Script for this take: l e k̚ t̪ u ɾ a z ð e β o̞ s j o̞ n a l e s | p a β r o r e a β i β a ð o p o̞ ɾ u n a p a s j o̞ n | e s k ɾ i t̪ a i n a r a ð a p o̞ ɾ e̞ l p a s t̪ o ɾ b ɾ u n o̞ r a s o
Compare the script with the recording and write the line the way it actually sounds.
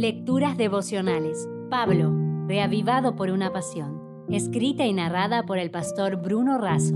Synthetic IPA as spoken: l e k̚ t̪ u ɾ a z ð e β o̞ s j o̞ n a l e s | p a β l o r e a β i β a ð o p o̞ ɾ u n a p a s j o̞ n | e s k ɾ i t̪ a i n a r a ð a p o̞ ɾ e̞ l p a s t̪ o ɾ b ɾ u n o̞ r a s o